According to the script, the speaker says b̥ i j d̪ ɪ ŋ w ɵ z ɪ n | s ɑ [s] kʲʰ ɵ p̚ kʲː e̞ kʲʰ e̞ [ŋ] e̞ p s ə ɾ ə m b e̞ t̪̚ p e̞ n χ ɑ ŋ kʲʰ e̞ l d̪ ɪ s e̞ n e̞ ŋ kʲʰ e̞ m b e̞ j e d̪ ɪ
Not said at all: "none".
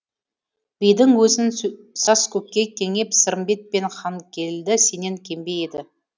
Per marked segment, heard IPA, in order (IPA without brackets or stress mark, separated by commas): s, ŋ